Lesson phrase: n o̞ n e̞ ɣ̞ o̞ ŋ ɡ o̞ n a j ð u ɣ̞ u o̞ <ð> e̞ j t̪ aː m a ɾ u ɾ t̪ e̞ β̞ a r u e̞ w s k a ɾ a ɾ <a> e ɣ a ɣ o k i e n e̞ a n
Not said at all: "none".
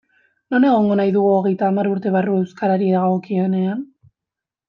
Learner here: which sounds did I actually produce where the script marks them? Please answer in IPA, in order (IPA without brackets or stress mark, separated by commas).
ɣ, i